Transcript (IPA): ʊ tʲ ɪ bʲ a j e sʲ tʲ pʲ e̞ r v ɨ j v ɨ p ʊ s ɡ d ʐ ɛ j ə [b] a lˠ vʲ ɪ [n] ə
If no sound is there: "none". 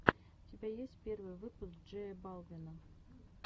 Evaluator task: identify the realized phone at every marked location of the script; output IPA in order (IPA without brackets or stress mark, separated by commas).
b, n